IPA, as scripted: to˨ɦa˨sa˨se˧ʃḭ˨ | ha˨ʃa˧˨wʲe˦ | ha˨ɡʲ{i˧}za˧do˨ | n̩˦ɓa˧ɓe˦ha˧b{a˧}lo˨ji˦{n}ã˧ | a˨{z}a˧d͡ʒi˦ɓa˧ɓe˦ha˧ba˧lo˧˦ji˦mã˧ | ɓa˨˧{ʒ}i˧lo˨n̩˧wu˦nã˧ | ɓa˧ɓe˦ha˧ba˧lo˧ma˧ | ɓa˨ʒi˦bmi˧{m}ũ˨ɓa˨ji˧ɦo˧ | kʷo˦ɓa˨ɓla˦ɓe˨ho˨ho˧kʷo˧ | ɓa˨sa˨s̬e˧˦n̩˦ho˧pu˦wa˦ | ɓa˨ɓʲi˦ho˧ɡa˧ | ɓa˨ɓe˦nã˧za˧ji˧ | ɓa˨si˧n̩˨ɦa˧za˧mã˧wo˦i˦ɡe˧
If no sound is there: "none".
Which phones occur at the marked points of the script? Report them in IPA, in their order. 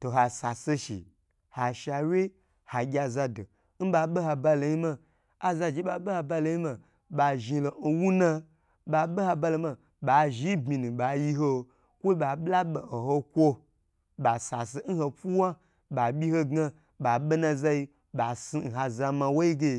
a˧, a˧, m, z, ʒ, n

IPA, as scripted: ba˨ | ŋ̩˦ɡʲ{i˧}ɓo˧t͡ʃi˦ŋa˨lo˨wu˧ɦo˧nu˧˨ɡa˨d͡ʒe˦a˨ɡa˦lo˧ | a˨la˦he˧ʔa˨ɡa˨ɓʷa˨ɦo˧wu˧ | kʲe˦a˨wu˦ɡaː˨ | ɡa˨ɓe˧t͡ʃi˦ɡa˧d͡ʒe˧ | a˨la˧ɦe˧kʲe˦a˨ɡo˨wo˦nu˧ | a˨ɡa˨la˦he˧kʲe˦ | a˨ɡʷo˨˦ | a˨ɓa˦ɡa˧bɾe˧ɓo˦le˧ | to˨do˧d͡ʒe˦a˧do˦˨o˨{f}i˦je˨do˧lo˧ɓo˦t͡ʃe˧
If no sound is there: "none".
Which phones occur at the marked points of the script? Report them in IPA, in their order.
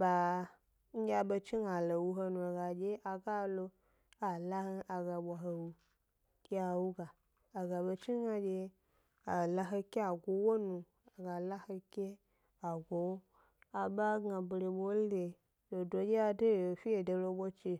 a˧, f

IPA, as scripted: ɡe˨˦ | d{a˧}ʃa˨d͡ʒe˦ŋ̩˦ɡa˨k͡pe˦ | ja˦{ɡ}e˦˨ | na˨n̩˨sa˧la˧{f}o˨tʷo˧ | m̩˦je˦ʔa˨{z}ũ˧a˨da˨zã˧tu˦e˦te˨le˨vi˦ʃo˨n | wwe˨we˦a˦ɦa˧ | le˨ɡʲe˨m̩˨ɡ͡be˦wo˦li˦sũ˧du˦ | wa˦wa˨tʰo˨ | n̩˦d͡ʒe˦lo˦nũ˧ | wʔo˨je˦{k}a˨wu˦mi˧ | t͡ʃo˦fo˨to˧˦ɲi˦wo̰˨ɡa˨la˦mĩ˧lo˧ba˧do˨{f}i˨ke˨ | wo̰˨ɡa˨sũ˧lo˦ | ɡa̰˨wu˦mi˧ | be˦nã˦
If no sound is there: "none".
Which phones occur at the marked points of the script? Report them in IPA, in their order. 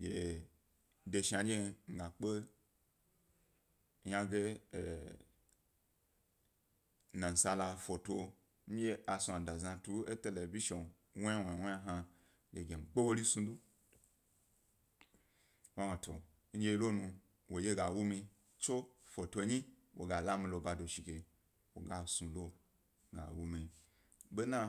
e˧, ɡ, f, s, ɡ, ʃ

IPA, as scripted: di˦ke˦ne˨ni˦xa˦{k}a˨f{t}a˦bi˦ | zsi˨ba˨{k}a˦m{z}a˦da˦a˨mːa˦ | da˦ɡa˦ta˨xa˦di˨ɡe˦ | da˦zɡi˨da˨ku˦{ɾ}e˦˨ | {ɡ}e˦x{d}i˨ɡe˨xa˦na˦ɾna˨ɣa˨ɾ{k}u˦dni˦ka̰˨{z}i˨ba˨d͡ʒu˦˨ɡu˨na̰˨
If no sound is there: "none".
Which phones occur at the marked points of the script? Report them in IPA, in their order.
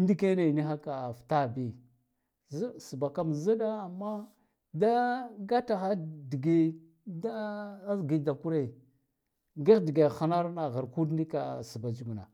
k, t, k, z, ɾ, ɡ, d, k, s

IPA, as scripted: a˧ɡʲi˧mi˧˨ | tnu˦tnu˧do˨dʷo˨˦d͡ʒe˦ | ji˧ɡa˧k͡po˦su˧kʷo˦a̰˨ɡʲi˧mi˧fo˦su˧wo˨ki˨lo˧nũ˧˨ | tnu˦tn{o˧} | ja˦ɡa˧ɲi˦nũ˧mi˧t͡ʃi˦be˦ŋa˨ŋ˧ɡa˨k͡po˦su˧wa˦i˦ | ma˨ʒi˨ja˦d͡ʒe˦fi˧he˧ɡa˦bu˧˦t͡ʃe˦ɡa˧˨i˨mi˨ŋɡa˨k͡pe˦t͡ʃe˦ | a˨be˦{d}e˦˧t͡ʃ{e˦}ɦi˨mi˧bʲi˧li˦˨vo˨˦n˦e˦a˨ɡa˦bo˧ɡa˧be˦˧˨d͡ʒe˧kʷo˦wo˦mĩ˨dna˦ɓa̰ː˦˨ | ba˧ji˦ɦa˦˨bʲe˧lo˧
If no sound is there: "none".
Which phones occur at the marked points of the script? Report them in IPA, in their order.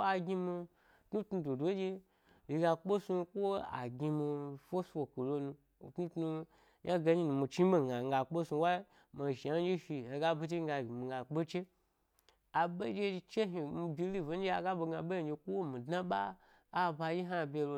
u˧, d͡ʒ, e˦

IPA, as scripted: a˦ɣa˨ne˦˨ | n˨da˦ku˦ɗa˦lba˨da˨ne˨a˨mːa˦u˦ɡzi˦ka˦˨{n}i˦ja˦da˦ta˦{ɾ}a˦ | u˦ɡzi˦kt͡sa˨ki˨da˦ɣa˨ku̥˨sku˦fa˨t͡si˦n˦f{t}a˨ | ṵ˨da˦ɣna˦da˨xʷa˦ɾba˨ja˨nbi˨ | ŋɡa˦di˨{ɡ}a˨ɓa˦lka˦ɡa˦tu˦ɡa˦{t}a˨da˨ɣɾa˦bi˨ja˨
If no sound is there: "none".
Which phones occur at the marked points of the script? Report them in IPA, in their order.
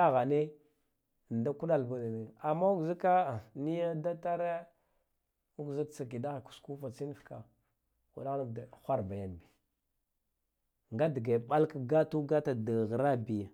n, ɾ, k, ɡ, t

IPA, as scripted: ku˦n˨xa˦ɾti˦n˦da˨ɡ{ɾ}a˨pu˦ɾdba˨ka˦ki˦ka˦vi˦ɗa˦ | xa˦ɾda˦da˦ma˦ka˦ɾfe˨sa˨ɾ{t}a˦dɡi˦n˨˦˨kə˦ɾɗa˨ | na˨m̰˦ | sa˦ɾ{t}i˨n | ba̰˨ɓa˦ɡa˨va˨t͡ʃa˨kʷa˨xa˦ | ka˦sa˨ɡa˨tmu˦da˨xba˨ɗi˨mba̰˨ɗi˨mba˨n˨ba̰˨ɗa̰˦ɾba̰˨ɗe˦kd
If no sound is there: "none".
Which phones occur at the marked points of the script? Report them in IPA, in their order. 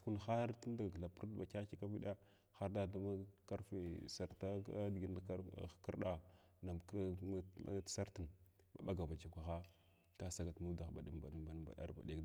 l, t, t

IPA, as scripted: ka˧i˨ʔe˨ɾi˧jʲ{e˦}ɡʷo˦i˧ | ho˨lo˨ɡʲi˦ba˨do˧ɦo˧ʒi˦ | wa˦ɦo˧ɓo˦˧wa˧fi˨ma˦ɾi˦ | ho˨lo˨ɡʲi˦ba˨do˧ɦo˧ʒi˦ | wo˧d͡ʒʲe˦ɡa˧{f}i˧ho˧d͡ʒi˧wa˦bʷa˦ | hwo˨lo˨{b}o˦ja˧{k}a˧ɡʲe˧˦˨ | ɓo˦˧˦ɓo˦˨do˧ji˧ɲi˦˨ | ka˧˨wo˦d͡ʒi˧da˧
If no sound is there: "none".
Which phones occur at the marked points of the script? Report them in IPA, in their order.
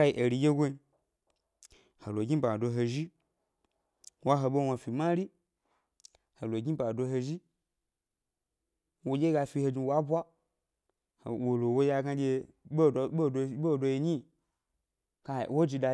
e˦, f, w, ɡ

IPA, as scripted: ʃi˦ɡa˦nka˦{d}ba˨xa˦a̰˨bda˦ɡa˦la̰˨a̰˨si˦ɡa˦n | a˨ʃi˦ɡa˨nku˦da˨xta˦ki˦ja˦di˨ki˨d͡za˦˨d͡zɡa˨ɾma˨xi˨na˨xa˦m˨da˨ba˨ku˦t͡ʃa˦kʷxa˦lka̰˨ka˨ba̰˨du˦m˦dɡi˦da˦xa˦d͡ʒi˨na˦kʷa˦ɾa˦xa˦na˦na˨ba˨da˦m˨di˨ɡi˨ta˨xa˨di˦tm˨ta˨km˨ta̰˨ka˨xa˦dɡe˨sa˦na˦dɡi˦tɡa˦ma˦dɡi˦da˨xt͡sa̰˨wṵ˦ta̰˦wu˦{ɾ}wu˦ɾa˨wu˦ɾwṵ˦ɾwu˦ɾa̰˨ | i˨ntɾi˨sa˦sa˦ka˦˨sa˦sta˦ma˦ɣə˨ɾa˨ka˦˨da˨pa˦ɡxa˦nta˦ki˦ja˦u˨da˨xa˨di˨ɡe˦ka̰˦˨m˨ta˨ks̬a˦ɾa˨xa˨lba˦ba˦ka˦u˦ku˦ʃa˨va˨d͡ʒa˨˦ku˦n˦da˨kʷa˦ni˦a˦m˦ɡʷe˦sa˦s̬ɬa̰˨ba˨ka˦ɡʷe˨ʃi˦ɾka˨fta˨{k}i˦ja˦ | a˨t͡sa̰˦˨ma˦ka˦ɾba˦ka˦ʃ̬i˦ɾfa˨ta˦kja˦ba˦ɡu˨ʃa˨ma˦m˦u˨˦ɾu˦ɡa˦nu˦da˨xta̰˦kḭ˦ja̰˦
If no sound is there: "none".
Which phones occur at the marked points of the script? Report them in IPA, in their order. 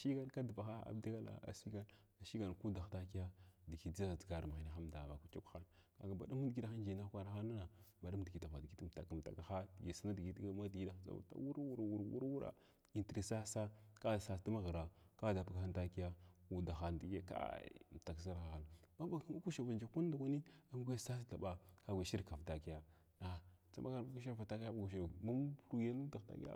d, ɾ, k

